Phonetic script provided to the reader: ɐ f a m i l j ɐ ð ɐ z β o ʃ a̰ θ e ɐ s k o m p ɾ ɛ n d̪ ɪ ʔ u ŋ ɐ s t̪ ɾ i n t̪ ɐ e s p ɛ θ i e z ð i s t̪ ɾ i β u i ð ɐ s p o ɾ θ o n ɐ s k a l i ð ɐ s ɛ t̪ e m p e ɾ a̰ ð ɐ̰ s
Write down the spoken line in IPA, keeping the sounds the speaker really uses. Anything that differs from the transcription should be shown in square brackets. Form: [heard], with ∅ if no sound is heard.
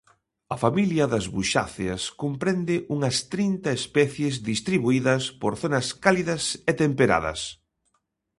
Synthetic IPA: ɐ f a m i l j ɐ ð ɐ z β [u] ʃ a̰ θ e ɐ s k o m p ɾ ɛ n d̪ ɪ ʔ u ŋ ɐ s t̪ ɾ i n t̪ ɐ e s p ɛ θ [j] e z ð i s t̪ ɾ i β u i ð ɐ s p o ɾ θ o n ɐ s k a l i ð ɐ s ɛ t̪ e m p e ɾ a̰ ð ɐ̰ s

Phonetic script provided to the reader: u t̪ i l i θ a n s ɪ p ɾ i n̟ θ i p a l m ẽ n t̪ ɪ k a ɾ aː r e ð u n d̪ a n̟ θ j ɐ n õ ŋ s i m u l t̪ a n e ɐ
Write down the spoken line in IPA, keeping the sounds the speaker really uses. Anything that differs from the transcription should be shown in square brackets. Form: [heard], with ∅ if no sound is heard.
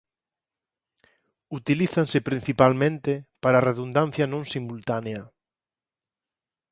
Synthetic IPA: u t̪ i l i θ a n s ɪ p ɾ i n̟ θ i p a l m ẽ n t̪ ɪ [p] a ɾ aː r e ð u n d̪ a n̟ θ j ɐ n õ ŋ s i m u l t̪ a n e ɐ

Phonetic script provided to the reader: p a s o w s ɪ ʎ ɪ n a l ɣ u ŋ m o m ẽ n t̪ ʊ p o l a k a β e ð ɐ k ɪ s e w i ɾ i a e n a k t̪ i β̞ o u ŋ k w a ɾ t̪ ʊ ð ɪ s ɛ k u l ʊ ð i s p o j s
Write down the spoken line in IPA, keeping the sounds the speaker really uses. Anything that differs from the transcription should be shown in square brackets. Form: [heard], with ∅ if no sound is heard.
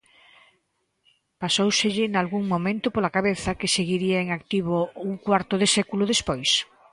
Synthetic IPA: p a s o w s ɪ ʎ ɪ n a l ɣ u ŋ m o m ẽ n t̪ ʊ p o l a k a β e [θ] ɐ k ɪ s e [ɣ] i ɾ i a e [ŋ] a k t̪ i β̞ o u ŋ k w a ɾ t̪ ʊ ð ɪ s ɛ k u l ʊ ð [e] s p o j s

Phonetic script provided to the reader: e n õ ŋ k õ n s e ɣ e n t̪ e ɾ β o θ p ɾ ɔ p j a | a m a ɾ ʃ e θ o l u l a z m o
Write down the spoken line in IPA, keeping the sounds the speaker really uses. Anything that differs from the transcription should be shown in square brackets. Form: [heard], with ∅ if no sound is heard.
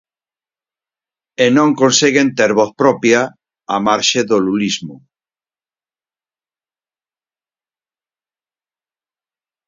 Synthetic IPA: e n õ ŋ k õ n s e ɣ e n t̪ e ɾ β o θ p ɾ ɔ p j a | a m a ɾ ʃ e [ð] o l u l [i] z m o

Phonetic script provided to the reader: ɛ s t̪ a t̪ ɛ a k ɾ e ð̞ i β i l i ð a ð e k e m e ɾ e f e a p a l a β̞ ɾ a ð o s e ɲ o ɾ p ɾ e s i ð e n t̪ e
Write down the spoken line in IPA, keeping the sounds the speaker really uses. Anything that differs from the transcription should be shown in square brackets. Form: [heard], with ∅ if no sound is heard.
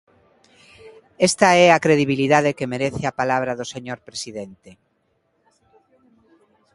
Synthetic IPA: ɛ s t̪ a [∅] ɛ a k ɾ e ð̞ i β i l i ð a ð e k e m e ɾ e [θ] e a p a l a β̞ ɾ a ð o s e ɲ o ɾ p ɾ e s i ð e n t̪ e

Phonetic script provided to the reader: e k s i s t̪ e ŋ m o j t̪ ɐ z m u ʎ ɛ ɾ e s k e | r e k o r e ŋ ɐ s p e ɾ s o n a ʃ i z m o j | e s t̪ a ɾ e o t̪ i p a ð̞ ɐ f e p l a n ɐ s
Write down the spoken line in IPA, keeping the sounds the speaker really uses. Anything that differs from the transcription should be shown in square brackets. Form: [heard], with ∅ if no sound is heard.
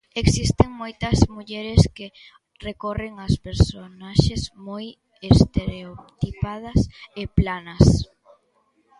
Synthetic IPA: e k s i s t̪ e ŋ m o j t̪ ɐ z m u ʎ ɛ ɾ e s k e | r e k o r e ŋ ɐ s p e ɾ s o n a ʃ [e] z m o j | e s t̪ [e] ɾ e o t̪ i p a ð̞ ɐ [s] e p l a n ɐ s

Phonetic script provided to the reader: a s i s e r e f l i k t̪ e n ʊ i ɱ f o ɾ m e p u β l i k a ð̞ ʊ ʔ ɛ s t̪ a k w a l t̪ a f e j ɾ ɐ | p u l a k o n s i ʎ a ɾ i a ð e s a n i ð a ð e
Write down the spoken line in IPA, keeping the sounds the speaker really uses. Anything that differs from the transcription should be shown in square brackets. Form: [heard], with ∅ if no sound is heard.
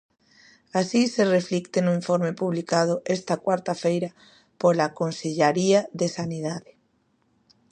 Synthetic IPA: a s i s e r e f l i k t̪ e n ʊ i ɱ f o ɾ m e p u β l i k a ð̞ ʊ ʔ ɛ s t̪ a k w a [ɾ] t̪ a f e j ɾ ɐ | p [o] l a k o n s [e] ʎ a ɾ i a ð e s a n i ð a ð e

